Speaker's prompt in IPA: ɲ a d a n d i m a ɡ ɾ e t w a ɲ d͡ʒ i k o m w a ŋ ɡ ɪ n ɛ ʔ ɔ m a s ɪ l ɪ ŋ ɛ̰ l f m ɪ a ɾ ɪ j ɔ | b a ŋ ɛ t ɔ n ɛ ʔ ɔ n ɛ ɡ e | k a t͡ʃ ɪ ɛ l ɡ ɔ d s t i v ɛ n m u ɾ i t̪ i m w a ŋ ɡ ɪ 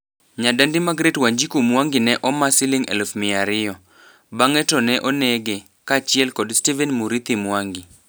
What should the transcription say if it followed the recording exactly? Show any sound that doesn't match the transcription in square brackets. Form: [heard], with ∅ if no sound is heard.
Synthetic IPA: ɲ a d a n d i m a ɡ ɾ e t w a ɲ d͡ʒ i k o m w a ŋ ɡ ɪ n ɛ ʔ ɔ m a s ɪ l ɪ ŋ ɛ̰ l f m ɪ a ɾ ɪ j ɔ | b a ŋ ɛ t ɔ n ɛ ʔ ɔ n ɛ ɡ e | k a t͡ʃ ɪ ɛ l [k] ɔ d s t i v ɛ n m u ɾ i t̪ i m w a ŋ ɡ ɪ

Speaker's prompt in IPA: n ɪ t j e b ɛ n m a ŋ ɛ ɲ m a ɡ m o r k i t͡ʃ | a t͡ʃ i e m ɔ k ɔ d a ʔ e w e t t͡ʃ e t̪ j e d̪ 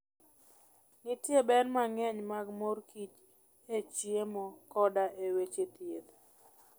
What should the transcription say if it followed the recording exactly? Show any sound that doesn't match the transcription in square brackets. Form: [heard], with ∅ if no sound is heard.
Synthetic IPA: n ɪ t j e b ɛ n m a ŋ ɛ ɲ m a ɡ m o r k i t͡ʃ | [e] t͡ʃ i e m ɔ k ɔ d a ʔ e w e [∅] t͡ʃ e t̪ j e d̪

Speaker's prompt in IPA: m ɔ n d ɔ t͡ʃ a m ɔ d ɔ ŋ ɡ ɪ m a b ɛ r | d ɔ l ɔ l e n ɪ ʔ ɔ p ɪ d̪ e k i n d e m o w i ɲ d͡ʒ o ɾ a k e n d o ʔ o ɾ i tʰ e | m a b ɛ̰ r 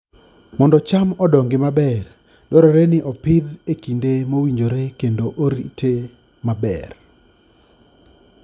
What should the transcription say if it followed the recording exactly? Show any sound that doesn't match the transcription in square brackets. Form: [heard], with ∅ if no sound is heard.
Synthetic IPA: m ɔ n d ɔ t͡ʃ a m ɔ d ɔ ŋ ɡ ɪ m a b ɛ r | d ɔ [ɾ] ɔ [ɾ] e n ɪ ʔ ɔ p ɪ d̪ e k i n d e m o w i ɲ d͡ʒ o ɾ [e] k e n d o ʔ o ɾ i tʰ e | m a b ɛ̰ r

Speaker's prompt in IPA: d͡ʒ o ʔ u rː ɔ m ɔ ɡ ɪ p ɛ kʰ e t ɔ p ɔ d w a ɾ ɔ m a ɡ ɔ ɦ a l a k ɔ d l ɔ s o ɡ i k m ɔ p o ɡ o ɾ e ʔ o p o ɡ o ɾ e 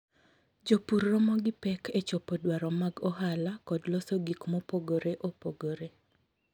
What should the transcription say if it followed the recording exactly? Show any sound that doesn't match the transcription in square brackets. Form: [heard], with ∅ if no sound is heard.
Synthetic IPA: d͡ʒ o [p] u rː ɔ m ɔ ɡ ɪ p ɛ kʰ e [t͡ʃ] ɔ p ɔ d w a ɾ ɔ m a ɡ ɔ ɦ a l a k ɔ d l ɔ s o ɡ i k m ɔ p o ɡ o ɾ e ʔ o p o ɡ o ɾ e

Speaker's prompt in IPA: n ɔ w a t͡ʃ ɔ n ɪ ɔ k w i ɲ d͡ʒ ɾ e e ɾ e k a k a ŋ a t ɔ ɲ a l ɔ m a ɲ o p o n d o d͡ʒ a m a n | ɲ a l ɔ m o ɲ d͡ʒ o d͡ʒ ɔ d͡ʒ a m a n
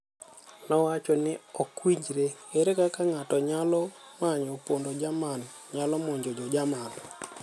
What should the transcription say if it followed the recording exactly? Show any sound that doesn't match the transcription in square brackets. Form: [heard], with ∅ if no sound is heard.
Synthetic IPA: n ɔ w a t͡ʃ ɔ n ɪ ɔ k w i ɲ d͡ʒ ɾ e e ɾ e k a k a ŋ a t ɔ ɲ a l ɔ m a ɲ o p o n d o d͡ʒ a m a n | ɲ a l ɔ m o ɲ d͡ʒ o d͡ʒ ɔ d͡ʒ a m a n

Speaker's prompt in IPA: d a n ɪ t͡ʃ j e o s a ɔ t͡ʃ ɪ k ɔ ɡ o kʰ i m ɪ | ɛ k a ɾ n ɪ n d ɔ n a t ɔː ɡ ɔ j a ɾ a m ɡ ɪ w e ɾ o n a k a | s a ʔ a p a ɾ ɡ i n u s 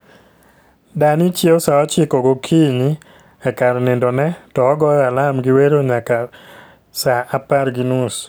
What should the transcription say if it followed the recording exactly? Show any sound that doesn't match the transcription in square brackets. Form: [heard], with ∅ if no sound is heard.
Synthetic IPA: d a n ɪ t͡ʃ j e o s a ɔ t͡ʃ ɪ k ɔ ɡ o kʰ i [ɲ] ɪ | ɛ k a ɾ n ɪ n d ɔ n [ɛ] t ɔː ɡ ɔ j a [l] a m ɡ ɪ w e ɾ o [ɲ] a k a | s a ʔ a p a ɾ ɡ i n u s

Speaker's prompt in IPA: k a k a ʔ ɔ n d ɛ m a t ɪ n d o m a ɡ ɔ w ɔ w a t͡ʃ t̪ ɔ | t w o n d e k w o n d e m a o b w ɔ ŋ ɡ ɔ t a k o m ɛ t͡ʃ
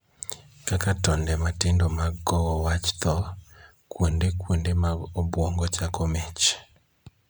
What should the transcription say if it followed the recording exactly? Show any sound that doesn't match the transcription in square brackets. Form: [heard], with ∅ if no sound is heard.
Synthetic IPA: k a k a [t] ɔ n d ɛ m a t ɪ n d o m a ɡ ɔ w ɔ w a t͡ʃ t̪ ɔ | [k] w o n d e k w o n d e m a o b w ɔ ŋ ɡ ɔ [t͡ʃ] a k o m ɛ t͡ʃ

